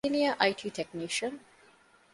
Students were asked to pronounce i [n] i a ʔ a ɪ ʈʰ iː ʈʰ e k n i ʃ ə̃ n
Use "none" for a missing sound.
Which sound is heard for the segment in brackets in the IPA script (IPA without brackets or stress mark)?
n